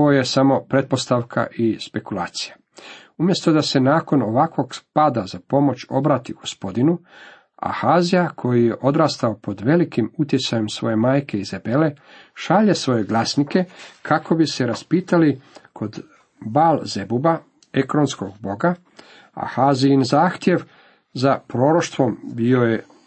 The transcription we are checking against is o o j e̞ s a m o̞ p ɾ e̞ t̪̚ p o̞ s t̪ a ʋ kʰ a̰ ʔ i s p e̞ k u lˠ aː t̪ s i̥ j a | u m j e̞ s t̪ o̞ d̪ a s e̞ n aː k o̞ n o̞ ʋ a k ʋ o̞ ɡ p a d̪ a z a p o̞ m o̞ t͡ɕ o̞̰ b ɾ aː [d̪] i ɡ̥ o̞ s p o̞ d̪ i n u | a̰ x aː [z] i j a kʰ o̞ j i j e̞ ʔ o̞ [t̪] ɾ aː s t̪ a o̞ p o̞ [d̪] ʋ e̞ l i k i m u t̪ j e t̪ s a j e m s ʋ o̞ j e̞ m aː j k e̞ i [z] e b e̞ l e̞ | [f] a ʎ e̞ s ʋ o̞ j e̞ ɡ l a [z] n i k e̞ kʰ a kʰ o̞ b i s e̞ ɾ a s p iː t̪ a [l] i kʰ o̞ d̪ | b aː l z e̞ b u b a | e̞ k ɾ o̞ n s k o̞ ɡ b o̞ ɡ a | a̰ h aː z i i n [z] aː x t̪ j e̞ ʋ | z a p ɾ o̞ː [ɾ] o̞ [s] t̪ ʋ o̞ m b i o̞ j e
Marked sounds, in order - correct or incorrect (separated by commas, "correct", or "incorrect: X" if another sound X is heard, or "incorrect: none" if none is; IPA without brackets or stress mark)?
incorrect: t̪, correct, incorrect: d̪, correct, correct, incorrect: ʃ, incorrect: s, correct, correct, correct, incorrect: ʃ